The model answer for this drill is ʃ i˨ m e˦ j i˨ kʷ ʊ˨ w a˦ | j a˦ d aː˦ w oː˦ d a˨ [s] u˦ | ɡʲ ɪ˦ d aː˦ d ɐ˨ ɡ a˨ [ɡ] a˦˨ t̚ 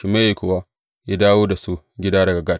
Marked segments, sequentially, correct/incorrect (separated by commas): correct, correct